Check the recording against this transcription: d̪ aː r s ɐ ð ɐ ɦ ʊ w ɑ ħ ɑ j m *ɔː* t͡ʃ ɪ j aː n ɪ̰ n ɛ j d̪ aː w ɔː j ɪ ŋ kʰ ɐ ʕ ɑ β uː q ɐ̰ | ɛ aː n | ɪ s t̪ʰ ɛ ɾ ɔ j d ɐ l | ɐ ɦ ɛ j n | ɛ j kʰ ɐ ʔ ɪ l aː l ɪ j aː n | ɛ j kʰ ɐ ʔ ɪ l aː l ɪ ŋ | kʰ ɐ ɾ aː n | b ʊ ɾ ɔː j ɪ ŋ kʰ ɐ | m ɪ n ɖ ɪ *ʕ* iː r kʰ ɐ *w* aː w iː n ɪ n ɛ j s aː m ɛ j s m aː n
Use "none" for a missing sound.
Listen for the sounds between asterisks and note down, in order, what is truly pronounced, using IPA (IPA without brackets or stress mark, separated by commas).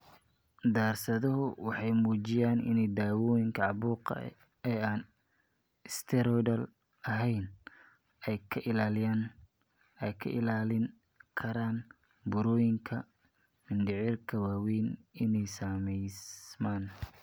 uː, ʕ, w